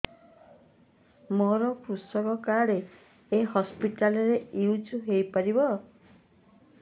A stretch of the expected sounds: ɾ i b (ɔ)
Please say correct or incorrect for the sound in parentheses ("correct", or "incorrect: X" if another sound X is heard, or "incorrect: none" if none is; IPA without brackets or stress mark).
correct